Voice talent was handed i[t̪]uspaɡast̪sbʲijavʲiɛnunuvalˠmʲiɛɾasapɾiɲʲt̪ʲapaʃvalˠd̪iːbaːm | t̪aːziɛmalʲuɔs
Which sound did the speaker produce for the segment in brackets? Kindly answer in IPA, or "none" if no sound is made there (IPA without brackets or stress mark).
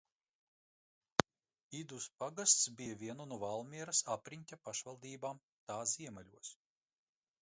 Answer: d̪